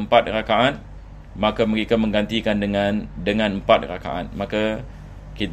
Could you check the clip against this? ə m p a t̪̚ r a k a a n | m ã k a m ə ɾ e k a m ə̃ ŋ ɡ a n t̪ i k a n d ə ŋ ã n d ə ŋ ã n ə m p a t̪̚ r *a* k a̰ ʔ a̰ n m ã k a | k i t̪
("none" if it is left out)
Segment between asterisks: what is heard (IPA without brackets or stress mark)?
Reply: a